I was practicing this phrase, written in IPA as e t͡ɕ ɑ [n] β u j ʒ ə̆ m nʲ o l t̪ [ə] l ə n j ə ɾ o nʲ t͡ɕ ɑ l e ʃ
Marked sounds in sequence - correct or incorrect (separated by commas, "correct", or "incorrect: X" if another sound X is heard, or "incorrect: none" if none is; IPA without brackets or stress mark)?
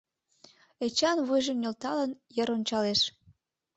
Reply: correct, incorrect: ɑ